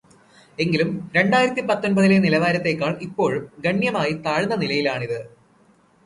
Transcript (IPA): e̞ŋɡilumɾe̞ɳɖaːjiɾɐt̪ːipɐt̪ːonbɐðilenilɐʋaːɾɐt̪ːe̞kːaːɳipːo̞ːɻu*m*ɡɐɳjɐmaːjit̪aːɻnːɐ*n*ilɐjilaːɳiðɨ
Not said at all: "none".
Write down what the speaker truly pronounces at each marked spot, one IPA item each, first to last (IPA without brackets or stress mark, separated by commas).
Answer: m, n